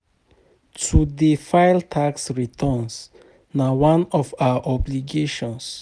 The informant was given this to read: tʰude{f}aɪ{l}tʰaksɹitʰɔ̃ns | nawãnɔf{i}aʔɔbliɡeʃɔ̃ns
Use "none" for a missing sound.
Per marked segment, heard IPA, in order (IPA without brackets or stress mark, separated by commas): f, l, a